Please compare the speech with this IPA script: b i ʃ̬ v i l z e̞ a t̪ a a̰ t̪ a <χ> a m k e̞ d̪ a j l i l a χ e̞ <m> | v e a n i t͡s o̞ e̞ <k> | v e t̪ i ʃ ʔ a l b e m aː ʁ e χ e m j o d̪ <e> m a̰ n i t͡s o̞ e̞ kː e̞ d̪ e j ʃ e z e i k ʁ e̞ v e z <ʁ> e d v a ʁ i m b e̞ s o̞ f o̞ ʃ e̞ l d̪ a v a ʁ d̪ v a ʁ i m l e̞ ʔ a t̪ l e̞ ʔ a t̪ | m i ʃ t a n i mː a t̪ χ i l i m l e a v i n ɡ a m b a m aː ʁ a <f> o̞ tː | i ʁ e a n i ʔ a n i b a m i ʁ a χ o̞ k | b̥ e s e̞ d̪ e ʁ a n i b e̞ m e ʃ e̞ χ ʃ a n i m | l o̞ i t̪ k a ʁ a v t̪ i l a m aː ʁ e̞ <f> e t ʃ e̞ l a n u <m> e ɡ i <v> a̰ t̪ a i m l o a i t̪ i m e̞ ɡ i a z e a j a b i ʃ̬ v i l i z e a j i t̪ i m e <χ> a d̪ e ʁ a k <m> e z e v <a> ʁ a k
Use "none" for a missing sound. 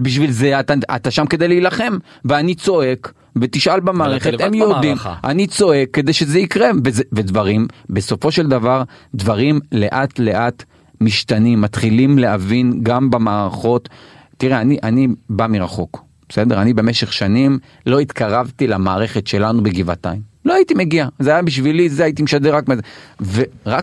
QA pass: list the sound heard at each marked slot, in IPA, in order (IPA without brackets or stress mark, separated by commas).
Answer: ʃ, m, k, i, v, χ, χ, b, v, ʃ, m, e